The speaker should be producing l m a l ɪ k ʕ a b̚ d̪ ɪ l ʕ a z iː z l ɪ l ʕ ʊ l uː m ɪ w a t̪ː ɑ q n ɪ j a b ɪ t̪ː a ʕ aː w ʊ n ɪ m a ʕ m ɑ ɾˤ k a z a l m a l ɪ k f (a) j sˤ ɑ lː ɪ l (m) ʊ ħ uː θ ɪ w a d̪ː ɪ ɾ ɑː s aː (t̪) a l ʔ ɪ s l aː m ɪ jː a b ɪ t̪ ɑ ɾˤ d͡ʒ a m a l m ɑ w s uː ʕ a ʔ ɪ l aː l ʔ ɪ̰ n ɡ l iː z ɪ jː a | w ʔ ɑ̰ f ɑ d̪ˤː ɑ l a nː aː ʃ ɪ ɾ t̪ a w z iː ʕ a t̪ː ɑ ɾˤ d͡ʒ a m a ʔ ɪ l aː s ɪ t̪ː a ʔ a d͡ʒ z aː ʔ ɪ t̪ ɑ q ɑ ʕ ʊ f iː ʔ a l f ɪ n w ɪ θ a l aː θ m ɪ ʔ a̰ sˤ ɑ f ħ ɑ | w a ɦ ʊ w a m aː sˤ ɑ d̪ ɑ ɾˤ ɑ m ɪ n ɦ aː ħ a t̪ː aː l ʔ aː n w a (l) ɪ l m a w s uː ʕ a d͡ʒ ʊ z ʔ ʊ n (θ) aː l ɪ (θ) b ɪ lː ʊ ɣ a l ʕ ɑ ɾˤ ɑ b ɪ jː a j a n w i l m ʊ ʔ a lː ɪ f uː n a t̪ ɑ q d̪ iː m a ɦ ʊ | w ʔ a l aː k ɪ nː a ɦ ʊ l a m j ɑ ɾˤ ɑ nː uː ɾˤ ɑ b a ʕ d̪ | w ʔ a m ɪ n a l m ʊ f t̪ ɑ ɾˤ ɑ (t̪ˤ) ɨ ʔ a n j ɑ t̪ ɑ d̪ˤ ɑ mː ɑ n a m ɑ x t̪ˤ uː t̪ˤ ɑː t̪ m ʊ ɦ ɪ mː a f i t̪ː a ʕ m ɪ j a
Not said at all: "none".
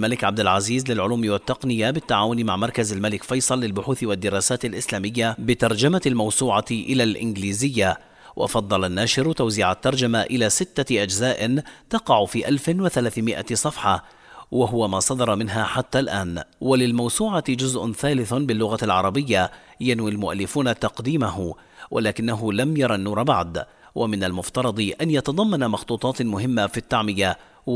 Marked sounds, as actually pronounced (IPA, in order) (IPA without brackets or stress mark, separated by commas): ɑ, b, t̪, l, θ, θ, d̪ˤ